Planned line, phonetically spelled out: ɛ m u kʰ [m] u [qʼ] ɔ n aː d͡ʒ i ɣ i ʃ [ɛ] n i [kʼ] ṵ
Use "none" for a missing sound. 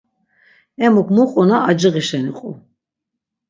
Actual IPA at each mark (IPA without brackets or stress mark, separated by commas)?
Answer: m, qʼ, ɛ, qʼ